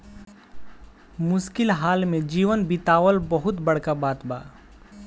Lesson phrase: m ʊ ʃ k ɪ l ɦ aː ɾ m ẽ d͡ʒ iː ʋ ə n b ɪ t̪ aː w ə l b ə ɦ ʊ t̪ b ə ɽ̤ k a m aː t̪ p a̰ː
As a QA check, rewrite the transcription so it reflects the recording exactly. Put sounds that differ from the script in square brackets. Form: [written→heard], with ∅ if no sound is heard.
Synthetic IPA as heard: m ʊ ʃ k ɪ l ɦ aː [ɾ→l] m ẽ d͡ʒ iː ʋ ə n b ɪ t̪ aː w ə l b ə ɦ ʊ t̪ b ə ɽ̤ k a [m→b] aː t̪ [p→b] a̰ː